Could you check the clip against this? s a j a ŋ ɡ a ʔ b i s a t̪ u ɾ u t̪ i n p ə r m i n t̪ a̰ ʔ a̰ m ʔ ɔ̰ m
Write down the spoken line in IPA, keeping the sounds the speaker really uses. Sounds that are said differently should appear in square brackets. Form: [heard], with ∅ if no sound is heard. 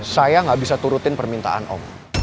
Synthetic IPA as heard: s a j a ŋ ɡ a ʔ b i s a t̪ u ɾ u t̪ [ɪ] n p ə r m i n t̪ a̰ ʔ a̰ [n] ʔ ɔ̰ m